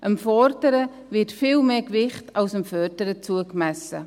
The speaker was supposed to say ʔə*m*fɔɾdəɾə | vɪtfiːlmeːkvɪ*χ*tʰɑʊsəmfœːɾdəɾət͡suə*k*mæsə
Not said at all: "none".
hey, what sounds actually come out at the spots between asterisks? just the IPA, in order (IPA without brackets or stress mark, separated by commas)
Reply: m, χ, k